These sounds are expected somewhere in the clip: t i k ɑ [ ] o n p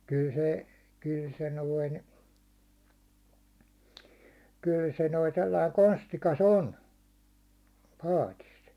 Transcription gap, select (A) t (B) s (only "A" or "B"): B